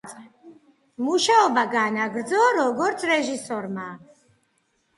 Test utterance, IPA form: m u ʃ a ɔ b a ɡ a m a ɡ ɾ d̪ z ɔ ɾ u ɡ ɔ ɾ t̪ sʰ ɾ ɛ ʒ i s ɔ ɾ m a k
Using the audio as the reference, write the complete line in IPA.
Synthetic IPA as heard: m u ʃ a ɔ b a ɡ a n a ɡ ɾ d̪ z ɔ ɾ ɔ ɡ ɔ ɾ t̪ sʰ ɾ ɛ ʒ i s ɔ ɾ m a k